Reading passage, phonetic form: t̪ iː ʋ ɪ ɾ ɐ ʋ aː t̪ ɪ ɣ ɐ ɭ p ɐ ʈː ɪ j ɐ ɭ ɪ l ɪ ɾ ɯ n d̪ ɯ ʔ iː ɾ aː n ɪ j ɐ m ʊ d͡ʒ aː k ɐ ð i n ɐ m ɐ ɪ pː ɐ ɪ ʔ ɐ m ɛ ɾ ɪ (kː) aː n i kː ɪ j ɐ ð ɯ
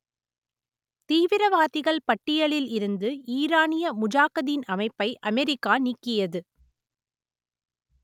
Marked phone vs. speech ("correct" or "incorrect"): correct